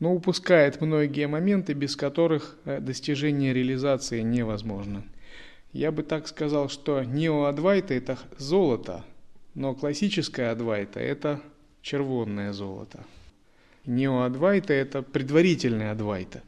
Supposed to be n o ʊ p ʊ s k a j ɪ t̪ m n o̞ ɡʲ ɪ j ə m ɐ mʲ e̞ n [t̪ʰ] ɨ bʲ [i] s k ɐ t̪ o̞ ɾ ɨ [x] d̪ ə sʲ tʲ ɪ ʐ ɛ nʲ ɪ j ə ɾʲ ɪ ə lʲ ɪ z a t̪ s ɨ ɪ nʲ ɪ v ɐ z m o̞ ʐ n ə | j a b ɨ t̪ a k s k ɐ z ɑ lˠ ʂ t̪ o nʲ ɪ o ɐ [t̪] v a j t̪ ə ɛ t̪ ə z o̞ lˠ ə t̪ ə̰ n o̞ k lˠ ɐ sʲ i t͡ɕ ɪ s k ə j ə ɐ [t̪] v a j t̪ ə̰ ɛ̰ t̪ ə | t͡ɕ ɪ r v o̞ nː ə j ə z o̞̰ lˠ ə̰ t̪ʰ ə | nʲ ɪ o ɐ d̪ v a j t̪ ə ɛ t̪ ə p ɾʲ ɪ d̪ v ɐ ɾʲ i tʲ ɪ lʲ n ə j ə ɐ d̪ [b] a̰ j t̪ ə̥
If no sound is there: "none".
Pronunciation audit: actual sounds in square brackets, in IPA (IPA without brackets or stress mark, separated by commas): t̪, ɪ, x, d̪, d̪, v